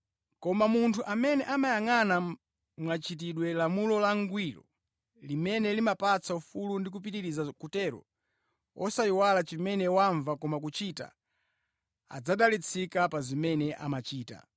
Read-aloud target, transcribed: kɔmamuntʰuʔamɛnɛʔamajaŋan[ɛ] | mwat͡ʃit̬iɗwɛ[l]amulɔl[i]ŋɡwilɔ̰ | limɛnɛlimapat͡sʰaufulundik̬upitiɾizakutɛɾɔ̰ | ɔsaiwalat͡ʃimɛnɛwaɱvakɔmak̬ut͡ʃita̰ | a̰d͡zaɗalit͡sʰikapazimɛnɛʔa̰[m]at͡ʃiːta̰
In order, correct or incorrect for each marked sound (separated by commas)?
incorrect, correct, incorrect, correct